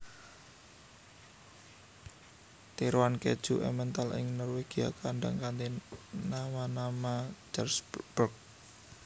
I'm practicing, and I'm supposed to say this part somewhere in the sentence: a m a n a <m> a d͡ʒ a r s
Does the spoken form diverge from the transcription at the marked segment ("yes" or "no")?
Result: no